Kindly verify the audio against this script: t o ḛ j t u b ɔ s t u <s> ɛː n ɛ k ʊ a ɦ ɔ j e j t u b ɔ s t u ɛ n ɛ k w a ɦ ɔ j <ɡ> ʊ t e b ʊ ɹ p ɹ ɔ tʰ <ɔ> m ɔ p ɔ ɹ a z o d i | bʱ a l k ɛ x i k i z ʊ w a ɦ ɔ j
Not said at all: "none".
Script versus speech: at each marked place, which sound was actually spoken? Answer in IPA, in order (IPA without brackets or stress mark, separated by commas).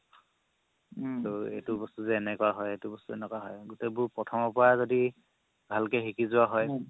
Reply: z, ɡ, ɔ